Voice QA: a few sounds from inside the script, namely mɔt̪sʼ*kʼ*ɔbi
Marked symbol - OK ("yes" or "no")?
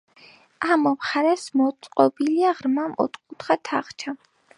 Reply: no